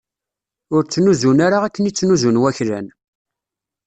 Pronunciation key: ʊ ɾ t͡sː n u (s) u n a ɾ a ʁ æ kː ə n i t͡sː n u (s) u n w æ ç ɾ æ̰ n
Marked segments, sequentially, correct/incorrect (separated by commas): incorrect, incorrect